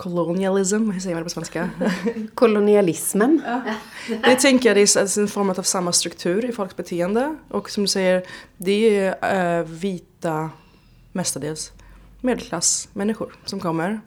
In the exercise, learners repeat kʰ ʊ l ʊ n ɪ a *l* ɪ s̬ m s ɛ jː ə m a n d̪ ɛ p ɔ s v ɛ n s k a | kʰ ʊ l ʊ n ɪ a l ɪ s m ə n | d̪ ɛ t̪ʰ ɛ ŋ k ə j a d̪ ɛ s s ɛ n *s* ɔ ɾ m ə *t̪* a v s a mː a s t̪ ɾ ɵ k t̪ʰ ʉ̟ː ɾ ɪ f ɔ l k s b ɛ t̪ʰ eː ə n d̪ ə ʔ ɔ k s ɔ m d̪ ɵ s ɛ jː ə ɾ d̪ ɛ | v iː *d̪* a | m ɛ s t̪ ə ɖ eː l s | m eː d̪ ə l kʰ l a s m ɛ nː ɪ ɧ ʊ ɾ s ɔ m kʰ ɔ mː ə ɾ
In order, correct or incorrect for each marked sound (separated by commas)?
correct, incorrect, correct, incorrect